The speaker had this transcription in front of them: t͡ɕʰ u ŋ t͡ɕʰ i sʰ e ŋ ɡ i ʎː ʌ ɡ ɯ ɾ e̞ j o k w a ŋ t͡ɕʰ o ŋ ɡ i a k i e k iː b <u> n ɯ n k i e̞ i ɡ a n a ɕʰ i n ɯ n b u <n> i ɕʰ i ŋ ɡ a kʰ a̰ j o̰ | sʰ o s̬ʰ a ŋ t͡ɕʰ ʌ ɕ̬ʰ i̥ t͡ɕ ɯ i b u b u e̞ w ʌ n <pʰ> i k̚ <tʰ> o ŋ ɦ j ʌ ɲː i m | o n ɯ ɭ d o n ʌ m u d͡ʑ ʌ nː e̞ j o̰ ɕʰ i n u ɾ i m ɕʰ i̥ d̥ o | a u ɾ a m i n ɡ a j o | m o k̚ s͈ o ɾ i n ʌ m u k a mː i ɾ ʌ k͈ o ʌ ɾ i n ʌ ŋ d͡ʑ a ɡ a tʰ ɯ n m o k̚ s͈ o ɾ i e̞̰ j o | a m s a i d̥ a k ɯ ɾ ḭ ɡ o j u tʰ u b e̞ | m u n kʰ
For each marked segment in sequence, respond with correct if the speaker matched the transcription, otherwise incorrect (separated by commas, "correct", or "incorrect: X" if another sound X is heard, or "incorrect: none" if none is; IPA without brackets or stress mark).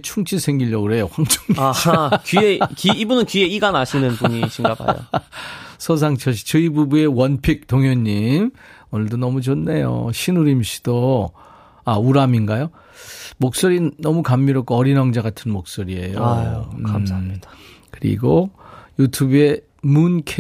correct, incorrect: ɲ, correct, incorrect: t